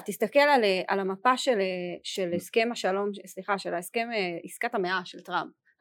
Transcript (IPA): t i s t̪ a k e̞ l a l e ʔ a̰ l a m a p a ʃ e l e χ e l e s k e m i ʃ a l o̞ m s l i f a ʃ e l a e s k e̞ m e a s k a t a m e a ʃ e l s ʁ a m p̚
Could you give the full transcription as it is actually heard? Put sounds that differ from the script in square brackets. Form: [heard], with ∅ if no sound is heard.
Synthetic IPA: t i s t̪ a k e̞ l a l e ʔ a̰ l a m a p a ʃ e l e [ʃ] e l e s k e m [a] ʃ a l o̞ m s l i [χ] a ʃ e l a e s k e̞ m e [i] s k a t a m e a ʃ e l [t] ʁ a m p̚